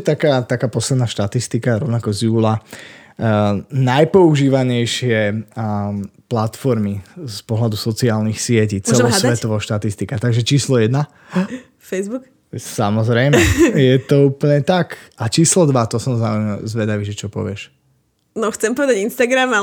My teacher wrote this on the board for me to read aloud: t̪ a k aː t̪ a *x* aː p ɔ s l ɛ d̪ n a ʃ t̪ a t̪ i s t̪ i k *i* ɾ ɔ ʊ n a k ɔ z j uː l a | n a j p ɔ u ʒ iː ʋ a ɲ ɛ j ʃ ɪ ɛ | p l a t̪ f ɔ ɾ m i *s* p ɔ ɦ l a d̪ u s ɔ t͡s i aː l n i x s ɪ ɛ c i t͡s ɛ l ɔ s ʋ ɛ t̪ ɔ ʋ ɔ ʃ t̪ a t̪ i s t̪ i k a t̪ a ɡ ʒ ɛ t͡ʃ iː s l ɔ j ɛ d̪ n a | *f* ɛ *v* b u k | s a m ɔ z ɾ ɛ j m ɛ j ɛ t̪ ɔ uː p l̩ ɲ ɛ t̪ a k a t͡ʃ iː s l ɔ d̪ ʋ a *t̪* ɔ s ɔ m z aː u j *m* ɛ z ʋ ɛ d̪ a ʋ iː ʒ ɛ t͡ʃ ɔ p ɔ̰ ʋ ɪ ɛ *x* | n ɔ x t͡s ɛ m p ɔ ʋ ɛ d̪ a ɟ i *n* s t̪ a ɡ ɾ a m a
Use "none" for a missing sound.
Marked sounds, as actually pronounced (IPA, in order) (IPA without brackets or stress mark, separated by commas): k, a, s, f, z, t̪, m, ʃ, n